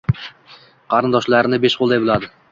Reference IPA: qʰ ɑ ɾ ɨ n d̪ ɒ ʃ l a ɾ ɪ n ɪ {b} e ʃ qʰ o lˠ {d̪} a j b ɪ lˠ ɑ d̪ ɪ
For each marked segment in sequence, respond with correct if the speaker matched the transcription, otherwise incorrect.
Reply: correct, correct

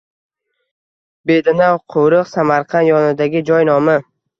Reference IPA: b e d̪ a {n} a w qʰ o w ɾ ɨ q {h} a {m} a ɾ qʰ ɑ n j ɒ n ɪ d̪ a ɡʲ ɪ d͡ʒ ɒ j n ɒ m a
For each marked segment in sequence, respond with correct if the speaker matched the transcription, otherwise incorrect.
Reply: correct, incorrect: s, correct

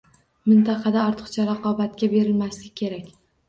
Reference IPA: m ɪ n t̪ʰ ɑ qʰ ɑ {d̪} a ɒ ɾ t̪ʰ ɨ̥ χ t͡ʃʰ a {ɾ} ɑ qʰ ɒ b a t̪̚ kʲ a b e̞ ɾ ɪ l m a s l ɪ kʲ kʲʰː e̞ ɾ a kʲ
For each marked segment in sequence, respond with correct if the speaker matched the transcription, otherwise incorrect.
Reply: correct, correct

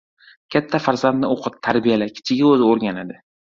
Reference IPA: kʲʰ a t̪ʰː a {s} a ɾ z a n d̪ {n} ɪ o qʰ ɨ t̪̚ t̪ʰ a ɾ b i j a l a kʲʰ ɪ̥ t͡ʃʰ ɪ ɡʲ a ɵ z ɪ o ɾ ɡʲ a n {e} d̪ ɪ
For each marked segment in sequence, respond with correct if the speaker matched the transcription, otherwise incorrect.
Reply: incorrect: f, correct, incorrect: a

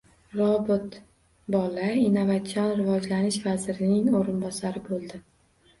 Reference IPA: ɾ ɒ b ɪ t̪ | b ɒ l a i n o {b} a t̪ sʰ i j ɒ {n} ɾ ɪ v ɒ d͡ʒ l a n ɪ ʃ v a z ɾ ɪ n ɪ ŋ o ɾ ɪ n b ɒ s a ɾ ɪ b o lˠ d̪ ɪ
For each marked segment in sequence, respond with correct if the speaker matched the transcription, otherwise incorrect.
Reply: incorrect: v, correct

